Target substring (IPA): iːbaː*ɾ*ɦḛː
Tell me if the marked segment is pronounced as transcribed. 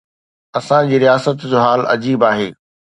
no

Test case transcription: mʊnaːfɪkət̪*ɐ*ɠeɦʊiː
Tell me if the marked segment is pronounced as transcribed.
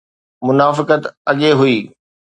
yes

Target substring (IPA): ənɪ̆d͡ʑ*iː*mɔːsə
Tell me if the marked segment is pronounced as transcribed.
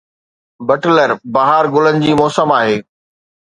yes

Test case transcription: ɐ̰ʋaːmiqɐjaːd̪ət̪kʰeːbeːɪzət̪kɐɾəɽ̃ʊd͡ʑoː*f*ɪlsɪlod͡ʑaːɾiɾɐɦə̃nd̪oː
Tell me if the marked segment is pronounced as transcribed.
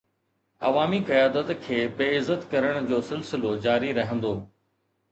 no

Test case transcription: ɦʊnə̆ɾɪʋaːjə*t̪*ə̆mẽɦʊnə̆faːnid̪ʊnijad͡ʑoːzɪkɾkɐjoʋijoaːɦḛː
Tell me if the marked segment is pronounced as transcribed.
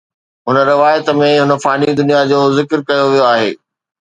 yes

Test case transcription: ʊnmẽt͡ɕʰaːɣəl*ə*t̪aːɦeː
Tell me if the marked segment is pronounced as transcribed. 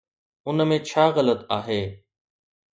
yes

